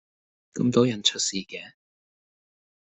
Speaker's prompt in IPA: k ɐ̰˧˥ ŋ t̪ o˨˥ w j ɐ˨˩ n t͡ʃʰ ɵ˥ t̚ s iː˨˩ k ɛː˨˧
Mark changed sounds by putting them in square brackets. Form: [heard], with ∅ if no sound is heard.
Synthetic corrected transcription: k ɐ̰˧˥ [m] t̪ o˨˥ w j ɐ˨˩ n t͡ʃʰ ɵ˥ t̚ s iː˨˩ k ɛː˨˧

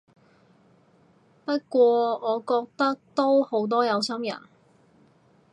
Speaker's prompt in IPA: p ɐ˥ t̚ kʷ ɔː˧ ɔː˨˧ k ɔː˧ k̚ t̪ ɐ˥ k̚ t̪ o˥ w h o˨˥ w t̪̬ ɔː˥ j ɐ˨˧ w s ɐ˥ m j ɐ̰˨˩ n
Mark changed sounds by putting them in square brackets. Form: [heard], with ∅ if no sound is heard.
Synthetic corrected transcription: p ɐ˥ t̚ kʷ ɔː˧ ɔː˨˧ k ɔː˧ k̚ t̪ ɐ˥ k̚ t̪ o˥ w h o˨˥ w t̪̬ ɔː˥ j ɐ˨˧ w s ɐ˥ m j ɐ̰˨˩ n

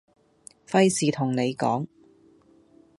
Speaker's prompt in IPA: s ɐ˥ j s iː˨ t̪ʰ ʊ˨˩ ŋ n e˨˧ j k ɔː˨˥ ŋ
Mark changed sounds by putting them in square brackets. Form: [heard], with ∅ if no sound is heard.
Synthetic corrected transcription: [f] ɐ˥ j s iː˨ t̪ʰ ʊ˨˩ ŋ n e˨˧ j k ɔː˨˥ ŋ

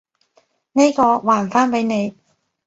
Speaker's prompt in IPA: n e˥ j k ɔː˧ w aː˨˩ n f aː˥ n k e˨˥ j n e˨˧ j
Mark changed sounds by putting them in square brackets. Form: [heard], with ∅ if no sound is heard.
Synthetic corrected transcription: n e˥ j k ɔː˧ w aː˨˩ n f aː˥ n [p] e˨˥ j n e˨˧ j

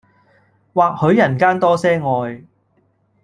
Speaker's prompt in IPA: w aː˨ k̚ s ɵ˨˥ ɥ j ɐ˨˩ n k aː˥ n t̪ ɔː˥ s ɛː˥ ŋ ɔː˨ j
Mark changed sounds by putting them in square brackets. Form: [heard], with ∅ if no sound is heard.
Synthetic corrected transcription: w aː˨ k̚ [h] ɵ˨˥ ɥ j ɐ˨˩ n k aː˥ n t̪ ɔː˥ s ɛː˥ ŋ ɔː˨ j

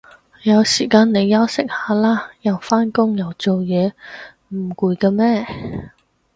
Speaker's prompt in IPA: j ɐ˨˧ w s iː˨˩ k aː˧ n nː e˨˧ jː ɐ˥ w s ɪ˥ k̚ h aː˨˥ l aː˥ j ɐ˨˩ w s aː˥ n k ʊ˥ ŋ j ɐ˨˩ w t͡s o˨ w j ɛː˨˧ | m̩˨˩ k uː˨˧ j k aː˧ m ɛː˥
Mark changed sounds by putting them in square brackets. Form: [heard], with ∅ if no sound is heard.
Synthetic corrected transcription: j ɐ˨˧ w s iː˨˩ k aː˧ n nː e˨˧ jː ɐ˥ w s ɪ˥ k̚ h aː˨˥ l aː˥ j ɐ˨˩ w [f] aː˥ n k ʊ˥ ŋ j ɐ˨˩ w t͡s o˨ w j ɛː˨˧ | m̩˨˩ k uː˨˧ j k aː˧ m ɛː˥

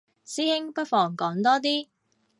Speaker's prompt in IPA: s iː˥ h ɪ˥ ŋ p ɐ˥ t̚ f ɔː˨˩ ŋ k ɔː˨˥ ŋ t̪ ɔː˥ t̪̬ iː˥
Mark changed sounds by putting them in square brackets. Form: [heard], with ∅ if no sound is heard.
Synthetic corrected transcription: s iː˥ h ɪ˥ ŋ p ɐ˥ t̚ f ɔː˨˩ ŋ k ɔː˨˥ ŋ t̪ ɔː˥ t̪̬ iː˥

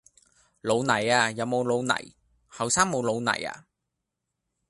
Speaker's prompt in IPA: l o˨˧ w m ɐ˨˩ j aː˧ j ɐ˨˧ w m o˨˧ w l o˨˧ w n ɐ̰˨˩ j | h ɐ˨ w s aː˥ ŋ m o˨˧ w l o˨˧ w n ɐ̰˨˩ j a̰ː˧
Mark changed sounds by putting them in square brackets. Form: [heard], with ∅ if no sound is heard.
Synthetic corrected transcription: l o˨˧ w [n] ɐ˨˩ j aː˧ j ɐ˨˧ w m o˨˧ w l o˨˧ w n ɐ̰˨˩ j | h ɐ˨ w s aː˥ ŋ m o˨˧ w l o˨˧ w n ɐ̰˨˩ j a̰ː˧

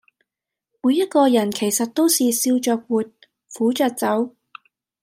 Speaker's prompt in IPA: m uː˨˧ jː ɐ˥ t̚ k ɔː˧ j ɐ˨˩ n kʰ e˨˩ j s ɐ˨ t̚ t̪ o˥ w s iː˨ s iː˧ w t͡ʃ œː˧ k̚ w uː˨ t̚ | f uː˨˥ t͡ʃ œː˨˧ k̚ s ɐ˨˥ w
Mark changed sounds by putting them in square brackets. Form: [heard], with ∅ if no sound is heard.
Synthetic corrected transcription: m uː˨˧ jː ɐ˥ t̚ k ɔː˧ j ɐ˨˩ n kʰ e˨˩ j s ɐ˨ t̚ t̪ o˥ w s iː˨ s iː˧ w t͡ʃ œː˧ k̚ w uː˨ t̚ | f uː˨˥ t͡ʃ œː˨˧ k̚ [t͡s] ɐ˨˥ w

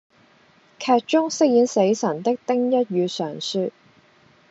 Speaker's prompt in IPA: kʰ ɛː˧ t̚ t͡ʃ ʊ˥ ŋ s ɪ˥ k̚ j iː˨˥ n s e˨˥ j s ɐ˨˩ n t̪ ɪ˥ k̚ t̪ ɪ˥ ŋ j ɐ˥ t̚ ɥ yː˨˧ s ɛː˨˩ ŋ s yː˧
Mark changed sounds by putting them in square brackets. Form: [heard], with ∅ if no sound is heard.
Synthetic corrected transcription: kʰ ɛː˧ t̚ t͡ʃ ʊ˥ ŋ s ɪ˥ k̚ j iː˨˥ n s e˨˥ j s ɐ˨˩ n t̪ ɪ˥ k̚ t̪ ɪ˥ ŋ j ɐ˥ t̚ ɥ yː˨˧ s [œː˨˩] ŋ s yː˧

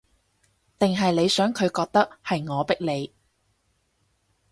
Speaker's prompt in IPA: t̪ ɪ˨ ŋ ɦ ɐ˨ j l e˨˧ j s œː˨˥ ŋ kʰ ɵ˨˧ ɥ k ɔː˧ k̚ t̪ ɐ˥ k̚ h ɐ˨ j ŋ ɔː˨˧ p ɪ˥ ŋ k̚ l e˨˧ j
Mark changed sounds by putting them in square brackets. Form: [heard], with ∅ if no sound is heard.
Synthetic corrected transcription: t̪ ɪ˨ ŋ ɦ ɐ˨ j l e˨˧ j s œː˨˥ ŋ kʰ ɵ˨˧ ɥ k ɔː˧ k̚ t̪ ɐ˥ k̚ h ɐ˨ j ŋ ɔː˨˧ p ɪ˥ [∅] k̚ l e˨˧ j

